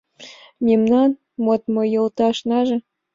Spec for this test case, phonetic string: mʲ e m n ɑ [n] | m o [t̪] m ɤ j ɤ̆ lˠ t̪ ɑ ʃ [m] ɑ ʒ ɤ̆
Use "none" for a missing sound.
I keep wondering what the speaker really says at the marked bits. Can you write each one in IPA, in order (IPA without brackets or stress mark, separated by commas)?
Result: n, t̪, n